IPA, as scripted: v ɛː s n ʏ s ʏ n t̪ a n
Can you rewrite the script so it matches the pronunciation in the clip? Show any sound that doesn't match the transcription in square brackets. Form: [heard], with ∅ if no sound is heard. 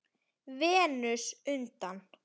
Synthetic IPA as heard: v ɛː [∅] n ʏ s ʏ n t̪ a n